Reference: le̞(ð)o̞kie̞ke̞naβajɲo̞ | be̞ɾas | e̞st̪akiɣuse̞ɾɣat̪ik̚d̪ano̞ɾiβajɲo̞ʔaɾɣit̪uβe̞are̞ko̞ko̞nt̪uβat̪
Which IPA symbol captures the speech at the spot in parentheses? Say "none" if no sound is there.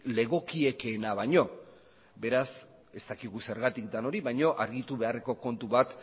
ɣ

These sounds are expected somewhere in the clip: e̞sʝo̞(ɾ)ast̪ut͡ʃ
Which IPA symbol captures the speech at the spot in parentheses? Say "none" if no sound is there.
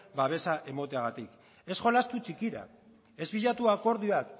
l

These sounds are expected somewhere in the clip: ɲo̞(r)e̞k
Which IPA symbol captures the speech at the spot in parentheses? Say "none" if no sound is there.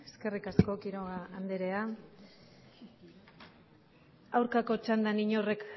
r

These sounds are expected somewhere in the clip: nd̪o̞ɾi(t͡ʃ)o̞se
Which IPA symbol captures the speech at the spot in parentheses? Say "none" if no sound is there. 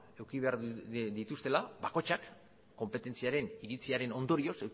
none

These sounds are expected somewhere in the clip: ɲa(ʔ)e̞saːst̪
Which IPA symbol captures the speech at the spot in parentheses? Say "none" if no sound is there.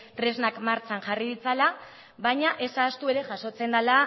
ʔ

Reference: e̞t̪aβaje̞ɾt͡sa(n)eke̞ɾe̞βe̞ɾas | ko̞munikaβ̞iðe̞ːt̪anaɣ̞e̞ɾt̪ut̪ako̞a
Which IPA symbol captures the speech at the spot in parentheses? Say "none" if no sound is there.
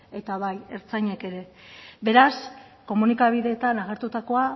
ɲ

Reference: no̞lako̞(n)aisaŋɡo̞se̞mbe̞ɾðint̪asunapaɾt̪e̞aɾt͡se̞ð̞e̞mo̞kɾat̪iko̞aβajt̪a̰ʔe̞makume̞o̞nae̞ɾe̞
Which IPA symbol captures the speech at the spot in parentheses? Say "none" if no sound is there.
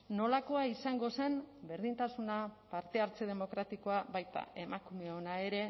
none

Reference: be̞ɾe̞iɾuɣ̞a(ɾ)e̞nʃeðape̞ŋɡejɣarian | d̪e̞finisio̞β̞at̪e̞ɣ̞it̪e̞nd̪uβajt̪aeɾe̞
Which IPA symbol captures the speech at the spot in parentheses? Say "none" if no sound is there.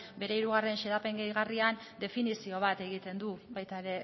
r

